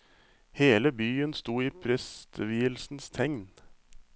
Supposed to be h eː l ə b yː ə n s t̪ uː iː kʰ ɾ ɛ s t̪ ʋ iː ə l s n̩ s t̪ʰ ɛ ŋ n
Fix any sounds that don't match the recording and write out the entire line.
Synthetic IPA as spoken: h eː l ə b yː ə n s t̪ uː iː pʰ ɾ ɛ s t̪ ʋ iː ə l s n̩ s t̪ʰ ɛ ŋ n

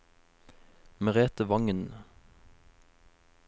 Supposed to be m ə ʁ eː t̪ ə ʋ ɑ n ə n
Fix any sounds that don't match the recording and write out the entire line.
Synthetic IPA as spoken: m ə ʁ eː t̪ ə ʋ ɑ ŋ ə n

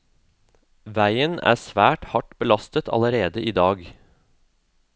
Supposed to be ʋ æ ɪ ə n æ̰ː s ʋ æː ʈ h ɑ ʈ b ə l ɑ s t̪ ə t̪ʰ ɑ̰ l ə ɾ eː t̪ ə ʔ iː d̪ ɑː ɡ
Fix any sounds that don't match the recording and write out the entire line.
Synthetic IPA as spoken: ʋ æ ɪ ə n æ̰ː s ʋ æː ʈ h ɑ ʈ b ə l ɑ s t̪ ə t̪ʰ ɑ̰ l ə ɾ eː d̪ ə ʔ iː d̪ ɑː ɡ

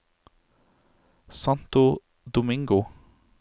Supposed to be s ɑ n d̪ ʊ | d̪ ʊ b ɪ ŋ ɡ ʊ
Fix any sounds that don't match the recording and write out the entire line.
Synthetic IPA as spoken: s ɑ n t̪ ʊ | d̪ ʊ m ɪ ŋ ɡ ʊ

